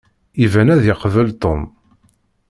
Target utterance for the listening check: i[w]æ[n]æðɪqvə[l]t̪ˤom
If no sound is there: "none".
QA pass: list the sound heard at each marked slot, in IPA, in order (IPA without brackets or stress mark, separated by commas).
v, n, l